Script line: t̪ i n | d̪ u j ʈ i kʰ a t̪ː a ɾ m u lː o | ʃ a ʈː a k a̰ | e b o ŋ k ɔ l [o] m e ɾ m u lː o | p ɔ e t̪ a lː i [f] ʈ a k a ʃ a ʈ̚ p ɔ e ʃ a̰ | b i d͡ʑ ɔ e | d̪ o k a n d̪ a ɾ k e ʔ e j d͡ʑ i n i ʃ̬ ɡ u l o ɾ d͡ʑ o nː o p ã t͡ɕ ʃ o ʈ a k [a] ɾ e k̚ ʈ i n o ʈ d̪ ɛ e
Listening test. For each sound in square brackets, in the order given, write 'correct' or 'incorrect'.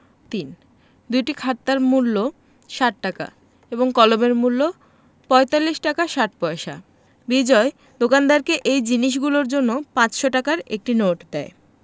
correct, incorrect, correct

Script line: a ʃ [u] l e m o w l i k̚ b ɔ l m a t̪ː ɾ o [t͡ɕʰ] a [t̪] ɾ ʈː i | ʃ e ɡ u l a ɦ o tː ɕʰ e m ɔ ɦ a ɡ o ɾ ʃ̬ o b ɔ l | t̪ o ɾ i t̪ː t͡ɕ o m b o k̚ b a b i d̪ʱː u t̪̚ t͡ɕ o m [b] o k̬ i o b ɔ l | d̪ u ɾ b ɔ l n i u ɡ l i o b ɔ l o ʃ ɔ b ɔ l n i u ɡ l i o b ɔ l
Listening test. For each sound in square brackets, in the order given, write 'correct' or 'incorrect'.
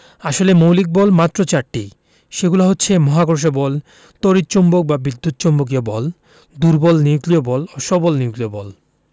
incorrect, incorrect, incorrect, correct

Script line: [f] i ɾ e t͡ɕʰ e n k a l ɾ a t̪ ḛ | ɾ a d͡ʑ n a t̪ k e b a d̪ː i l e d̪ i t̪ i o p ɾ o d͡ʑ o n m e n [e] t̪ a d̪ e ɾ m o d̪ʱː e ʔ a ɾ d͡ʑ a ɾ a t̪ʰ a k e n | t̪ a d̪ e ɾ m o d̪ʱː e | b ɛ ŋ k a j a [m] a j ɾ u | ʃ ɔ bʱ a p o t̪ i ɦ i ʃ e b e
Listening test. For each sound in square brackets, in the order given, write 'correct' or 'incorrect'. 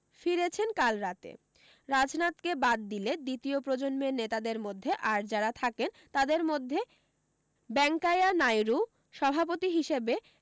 correct, correct, incorrect

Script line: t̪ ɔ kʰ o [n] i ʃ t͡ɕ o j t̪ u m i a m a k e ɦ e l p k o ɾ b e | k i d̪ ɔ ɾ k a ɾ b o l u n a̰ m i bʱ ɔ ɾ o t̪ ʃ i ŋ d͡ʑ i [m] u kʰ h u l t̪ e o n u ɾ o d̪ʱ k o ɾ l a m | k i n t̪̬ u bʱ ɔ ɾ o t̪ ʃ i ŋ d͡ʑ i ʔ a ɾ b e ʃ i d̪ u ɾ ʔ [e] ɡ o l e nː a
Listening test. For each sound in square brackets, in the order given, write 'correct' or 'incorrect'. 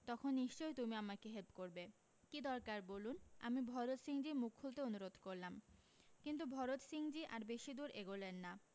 incorrect, correct, correct

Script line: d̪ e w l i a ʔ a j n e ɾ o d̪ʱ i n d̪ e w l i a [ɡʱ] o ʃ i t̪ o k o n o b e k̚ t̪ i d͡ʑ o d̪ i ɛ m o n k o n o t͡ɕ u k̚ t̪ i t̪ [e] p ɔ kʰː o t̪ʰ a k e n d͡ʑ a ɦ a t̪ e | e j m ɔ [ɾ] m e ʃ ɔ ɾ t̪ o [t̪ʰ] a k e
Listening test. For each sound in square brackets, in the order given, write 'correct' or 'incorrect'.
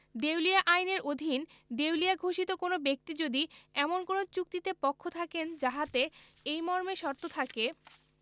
correct, correct, correct, correct

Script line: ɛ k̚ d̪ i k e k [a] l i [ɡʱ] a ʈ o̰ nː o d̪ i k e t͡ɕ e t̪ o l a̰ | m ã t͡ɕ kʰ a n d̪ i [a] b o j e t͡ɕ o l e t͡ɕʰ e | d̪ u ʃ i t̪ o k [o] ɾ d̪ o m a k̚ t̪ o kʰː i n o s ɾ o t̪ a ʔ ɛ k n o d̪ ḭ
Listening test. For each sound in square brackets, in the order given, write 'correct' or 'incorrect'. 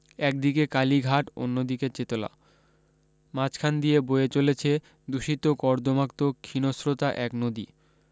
correct, correct, incorrect, incorrect

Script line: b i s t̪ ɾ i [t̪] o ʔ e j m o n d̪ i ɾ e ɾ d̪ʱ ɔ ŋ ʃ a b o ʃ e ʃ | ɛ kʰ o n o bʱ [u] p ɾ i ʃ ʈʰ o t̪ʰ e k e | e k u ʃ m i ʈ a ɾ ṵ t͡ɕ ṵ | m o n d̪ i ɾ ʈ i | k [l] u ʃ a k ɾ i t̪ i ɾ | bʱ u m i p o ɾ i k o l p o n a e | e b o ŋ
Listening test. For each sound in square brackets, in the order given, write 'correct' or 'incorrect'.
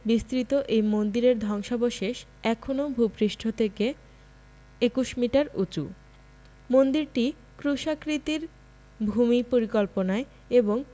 correct, correct, incorrect

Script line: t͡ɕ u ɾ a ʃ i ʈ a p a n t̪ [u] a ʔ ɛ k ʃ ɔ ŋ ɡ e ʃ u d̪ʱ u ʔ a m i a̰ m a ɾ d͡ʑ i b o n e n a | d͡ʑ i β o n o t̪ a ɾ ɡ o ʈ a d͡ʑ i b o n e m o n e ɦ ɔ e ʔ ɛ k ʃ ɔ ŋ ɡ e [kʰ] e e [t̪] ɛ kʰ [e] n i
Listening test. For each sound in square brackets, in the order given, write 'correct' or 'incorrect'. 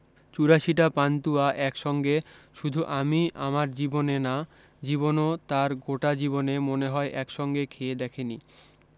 correct, correct, incorrect, correct

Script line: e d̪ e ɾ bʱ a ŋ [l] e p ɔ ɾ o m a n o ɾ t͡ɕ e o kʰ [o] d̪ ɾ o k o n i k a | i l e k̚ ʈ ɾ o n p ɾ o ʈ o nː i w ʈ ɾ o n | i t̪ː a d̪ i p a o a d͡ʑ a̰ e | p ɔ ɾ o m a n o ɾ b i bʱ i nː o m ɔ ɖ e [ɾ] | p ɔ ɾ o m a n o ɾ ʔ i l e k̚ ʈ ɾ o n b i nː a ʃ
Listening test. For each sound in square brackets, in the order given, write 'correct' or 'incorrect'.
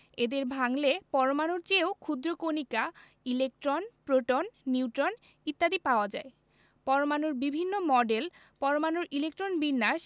correct, incorrect, incorrect

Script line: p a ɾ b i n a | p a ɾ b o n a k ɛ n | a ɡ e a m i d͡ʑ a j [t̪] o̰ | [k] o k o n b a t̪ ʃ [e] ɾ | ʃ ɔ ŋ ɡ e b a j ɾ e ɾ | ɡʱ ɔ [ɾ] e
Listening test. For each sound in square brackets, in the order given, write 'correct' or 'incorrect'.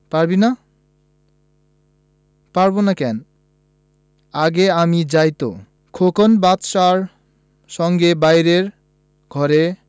correct, incorrect, incorrect, correct

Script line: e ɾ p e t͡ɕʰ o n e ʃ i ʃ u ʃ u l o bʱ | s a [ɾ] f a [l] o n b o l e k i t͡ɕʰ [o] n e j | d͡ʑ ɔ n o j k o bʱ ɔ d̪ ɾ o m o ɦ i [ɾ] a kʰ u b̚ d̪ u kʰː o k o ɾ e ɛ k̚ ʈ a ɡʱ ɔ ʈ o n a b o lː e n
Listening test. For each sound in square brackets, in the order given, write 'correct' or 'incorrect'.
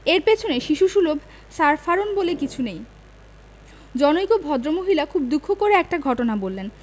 correct, incorrect, incorrect, incorrect

